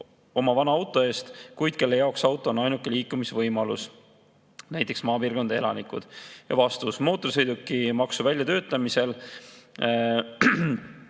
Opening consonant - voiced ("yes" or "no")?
yes